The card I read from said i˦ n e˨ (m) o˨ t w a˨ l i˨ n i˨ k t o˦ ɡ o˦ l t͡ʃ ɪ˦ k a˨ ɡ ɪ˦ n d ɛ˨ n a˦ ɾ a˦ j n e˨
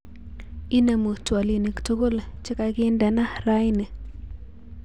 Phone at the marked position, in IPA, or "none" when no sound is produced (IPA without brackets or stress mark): m